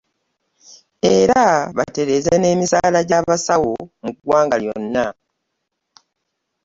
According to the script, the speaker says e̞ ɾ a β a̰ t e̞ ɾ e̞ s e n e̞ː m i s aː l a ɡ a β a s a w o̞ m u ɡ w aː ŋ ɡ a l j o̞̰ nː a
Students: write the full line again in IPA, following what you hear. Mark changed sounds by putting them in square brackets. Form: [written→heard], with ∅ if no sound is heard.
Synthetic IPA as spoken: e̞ ɾ a β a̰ t e̞ ɾ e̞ [s→z] e n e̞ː m i s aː l a [ɡ→ɟ] a β a s a w o̞ m u ɡ w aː ŋ ɡ a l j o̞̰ nː a